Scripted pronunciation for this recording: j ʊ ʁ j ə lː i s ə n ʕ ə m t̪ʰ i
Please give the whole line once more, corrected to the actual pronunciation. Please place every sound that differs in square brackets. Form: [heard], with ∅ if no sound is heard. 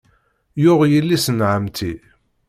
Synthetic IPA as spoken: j ʊ ʁ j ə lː i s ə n ʕ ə m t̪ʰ i